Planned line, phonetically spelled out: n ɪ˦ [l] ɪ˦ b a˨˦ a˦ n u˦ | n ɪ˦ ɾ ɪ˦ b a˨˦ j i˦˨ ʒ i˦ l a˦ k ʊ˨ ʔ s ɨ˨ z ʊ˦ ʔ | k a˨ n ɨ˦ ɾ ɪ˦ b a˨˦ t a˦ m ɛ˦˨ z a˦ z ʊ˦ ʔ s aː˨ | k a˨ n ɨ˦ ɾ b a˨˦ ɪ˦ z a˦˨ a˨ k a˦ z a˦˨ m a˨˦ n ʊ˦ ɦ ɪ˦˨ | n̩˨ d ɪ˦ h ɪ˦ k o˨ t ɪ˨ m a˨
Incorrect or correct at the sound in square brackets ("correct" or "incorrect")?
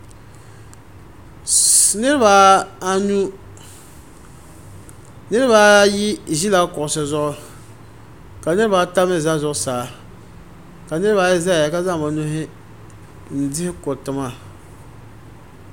incorrect